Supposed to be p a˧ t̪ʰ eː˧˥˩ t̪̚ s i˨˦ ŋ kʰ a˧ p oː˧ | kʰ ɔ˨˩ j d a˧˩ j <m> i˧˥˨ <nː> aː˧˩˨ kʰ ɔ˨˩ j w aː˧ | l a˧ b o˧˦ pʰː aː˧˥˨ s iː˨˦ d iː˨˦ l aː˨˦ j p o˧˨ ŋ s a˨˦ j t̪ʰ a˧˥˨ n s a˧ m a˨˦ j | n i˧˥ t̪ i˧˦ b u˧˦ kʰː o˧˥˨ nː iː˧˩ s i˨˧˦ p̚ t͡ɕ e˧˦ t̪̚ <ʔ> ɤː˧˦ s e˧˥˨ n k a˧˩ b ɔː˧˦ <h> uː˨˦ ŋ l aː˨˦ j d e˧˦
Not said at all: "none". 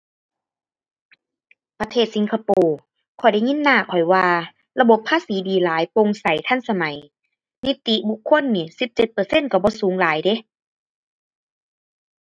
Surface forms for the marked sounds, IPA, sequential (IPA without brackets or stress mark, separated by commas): ŋ, nː, p, s